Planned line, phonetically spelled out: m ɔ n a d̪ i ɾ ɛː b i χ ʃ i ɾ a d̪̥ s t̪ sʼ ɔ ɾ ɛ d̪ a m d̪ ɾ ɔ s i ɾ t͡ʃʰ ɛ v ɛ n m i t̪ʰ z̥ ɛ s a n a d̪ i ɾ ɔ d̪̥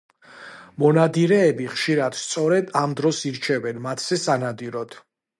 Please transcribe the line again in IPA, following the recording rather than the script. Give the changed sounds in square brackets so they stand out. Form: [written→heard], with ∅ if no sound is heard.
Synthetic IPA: m ɔ n a d̪ i ɾ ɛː b i χ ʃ i ɾ a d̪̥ s t̪ sʼ ɔ ɾ ɛ d̪ a m d̪ ɾ ɔ s i ɾ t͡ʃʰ ɛ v ɛ n m [i→a] t̪ʰ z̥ ɛ s a n a d̪ i ɾ ɔ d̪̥